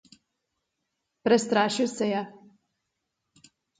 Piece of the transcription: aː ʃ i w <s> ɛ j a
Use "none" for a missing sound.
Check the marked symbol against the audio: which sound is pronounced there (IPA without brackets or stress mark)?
s